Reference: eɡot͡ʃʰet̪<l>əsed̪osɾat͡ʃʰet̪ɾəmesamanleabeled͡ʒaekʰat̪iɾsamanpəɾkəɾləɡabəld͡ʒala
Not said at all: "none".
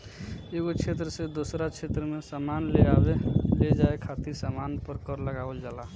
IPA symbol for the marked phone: ɾ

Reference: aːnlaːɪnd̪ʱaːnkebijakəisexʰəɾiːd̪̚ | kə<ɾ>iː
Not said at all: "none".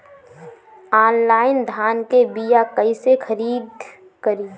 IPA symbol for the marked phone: ɾ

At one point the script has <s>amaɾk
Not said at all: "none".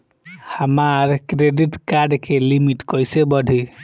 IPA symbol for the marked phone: h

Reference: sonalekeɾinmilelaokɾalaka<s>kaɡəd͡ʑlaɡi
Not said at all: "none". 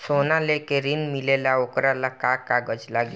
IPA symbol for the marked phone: none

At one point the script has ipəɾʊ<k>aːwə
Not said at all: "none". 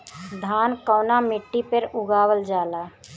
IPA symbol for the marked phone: ɡ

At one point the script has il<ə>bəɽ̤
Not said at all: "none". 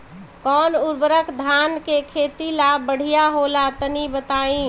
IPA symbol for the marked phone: a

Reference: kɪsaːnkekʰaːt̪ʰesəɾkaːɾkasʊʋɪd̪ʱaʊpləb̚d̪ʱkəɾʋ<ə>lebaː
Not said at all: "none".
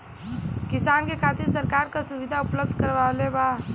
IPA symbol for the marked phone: a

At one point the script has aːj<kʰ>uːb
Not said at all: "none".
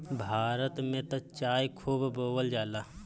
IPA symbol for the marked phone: kʰ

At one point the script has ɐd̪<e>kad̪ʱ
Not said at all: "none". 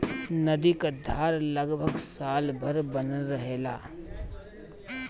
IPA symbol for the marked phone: i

